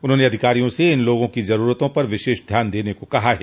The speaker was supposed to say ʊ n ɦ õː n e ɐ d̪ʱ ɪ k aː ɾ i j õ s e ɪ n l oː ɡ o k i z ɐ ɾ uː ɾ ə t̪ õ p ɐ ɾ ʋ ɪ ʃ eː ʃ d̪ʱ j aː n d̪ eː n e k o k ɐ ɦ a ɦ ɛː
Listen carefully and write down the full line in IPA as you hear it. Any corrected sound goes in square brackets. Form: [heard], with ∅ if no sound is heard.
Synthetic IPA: ʊ n ɦ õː n e ɐ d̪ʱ ɪ k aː ɾ i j õ s e ɪ n l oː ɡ [õ] k i z ɐ ɾ uː ɾ ə t̪ õ p ɐ ɾ ʋ ɪ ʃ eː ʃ d̪ʱ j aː n d̪ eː n e k o k ɐ ɦ a ɦ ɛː